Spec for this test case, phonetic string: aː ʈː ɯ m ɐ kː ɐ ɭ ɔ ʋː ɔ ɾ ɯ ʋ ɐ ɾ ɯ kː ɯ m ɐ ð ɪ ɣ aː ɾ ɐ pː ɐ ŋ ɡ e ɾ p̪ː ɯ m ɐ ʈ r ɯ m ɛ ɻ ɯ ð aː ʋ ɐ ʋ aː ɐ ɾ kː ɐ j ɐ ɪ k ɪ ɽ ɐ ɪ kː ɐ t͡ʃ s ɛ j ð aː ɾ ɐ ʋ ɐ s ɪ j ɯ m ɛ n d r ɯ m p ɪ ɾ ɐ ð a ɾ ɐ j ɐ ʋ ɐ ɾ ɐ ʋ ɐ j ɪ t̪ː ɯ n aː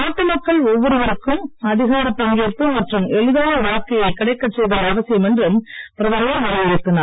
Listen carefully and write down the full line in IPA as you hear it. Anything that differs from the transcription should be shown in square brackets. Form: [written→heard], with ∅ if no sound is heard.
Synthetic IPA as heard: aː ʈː ɯ m ɐ kː ɐ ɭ ɔ ʋː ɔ ɾ ɯ ʋ ɐ ɾ ɯ kː ɯ m ɐ ð ɪ ɣ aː ɾ ɐ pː ɐ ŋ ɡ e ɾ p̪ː ɯ m ɐ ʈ r ɯ m ɛ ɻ ɯ ð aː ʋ ɐ ʋ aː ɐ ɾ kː ɐ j ɐ ɪ k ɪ ɽ ɐ ɪ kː ɐ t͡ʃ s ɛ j ð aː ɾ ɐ ʋ ɐ s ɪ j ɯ m ɛ n d r ɯ m p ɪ ɾ ɐ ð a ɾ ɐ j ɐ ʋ ɐ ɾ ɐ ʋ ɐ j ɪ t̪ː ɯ n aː

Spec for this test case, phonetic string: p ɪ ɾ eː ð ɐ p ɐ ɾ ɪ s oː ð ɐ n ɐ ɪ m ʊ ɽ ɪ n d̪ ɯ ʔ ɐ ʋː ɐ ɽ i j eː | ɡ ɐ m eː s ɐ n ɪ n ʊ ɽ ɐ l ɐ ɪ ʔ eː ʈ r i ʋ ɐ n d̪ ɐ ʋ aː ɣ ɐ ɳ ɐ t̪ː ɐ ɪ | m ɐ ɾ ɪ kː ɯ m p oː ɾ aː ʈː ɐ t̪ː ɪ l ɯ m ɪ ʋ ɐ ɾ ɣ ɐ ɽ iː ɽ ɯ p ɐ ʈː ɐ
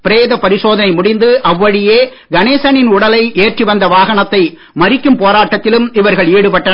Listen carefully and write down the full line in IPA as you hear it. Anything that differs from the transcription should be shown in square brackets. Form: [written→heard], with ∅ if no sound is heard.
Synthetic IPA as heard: p ɪ ɾ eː ð ɐ p ɐ ɾ ɪ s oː ð ɐ n ɐ ɪ m ʊ ɽ ɪ n d̪ ɯ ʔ ɐ ʋː ɐ ɽ [i→ɪ] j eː | ɡ ɐ [m→n] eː s ɐ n ɪ n ʊ ɽ ɐ l ɐ ɪ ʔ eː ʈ r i ʋ ɐ n d̪ ɐ ʋ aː ɣ ɐ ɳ ɐ t̪ː ɐ ɪ | m ɐ ɾ ɪ kː ɯ m p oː ɾ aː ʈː ɐ t̪ː ɪ l ɯ m ɪ ʋ ɐ ɾ ɣ ɐ [ɽ→ɭ] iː ɽ ɯ p ɐ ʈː ɐ

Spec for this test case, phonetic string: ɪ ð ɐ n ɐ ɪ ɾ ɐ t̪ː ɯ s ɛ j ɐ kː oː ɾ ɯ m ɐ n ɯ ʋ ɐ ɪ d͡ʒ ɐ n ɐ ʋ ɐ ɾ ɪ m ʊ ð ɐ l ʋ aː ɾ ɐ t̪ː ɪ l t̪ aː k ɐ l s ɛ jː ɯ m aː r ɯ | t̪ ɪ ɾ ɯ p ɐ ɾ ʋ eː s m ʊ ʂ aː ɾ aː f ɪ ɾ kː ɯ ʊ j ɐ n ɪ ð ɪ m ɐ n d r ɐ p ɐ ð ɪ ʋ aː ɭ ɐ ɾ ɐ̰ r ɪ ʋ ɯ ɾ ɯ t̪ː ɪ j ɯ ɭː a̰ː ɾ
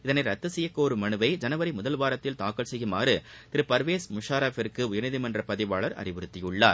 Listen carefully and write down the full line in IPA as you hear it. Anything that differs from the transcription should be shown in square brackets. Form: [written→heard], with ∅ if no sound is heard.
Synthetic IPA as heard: ɪ ð ɐ n ɐ ɪ ɾ ɐ t̪ː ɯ s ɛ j ɐ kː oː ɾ ɯ m ɐ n ɯ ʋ ɐ ɪ d͡ʒ ɐ n ɐ ʋ ɐ ɾ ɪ m ʊ ð ɐ l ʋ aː ɾ ɐ t̪ː ɪ l t̪ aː k ɐ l s ɛ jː ɯ m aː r ɯ | t̪ ɪ ɾ ɯ p ɐ ɾ ʋ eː s m ʊ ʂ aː ɾ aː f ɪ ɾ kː ɯ ʊ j ɐ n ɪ ð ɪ m ɐ n d r ɐ p ɐ ð ɪ ʋ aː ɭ ɐ ɾ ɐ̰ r ɪ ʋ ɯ ɾ ɯ t̪ː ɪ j ɯ ɭː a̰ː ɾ

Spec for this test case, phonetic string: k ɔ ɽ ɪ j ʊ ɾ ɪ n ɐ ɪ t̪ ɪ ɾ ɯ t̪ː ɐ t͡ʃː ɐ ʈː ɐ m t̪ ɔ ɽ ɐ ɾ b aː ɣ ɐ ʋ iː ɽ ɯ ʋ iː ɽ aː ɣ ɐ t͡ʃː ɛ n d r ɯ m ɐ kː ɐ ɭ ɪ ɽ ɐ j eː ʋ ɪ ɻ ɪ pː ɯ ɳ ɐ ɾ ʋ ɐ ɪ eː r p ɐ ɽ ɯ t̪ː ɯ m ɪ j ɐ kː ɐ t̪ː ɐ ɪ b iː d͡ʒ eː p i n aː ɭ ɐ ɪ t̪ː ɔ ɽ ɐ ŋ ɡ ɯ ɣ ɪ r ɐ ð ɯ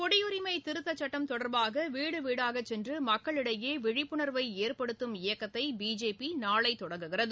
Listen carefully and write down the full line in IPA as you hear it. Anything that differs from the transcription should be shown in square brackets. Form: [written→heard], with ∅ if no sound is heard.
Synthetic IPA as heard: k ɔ ɽ ɪ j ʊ ɾ ɪ [n→m] ɐ ɪ t̪ ɪ ɾ ɯ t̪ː ɐ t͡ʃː ɐ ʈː ɐ m t̪ ɔ ɽ ɐ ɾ b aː ɣ ɐ ʋ iː ɽ ɯ ʋ iː ɽ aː ɣ ɐ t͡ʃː ɛ n d r ɯ m ɐ kː ɐ ɭ ɪ ɽ ɐ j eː ʋ ɪ ɻ ɪ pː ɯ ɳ ɐ ɾ ʋ ɐ ɪ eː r p ɐ ɽ ɯ t̪ː ɯ m ɪ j ɐ kː ɐ t̪ː ɐ ɪ b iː d͡ʒ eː p i n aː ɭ ɐ ɪ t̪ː ɔ ɽ ɐ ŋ ɡ ɯ ɣ ɪ r ɐ ð ɯ

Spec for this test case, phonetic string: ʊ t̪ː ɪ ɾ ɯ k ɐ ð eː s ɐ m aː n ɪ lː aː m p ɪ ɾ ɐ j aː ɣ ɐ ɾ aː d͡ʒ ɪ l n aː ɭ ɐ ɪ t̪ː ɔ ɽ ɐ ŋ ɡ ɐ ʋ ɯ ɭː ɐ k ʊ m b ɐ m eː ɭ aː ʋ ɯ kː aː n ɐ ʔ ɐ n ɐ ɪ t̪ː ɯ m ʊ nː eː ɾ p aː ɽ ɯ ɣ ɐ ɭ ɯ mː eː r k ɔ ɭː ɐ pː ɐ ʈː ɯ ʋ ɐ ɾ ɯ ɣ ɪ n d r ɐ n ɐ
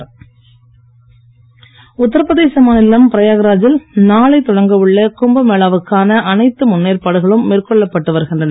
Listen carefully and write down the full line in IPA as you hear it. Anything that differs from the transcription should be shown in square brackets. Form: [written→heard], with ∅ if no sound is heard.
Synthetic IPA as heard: ʊ t̪ː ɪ ɾ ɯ [k→p] ɐ ð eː s ɐ m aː n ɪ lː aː m p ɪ ɾ ɐ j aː ɣ ɐ ɾ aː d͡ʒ ɪ l n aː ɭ ɐ ɪ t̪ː ɔ ɽ ɐ ŋ ɡ ɐ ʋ ɯ ɭː ɐ k ʊ m b ɐ m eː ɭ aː ʋ ɯ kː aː n ɐ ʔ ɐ n ɐ ɪ t̪ː ɯ m ʊ nː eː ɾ p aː ɽ ɯ ɣ ɐ ɭ ɯ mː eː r k ɔ ɭː ɐ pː ɐ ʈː ɯ ʋ ɐ ɾ ɯ ɣ ɪ n d r ɐ n ɐ

